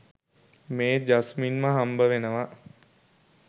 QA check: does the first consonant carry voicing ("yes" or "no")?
yes